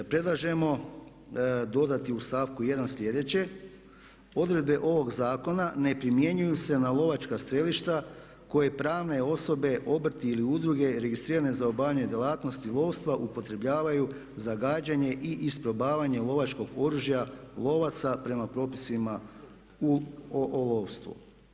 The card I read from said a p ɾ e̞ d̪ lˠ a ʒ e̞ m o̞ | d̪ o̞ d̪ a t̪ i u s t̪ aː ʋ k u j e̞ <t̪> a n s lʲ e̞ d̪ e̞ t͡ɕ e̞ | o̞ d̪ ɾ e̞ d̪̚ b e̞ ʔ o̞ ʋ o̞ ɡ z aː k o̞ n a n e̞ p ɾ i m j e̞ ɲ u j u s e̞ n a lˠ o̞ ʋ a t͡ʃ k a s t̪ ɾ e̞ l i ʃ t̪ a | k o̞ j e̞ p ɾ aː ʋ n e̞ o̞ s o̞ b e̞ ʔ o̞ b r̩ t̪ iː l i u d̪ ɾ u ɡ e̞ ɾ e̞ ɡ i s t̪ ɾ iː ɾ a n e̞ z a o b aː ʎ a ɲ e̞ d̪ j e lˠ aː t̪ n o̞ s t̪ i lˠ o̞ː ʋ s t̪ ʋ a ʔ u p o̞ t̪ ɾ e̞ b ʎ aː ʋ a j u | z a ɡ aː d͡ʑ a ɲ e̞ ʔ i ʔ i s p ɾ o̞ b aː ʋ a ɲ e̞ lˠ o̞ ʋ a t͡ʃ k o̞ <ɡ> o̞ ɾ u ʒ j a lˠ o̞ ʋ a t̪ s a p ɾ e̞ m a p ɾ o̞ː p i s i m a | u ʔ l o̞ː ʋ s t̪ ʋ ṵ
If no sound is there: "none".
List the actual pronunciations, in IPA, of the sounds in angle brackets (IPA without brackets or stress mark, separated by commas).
d̪, ɡ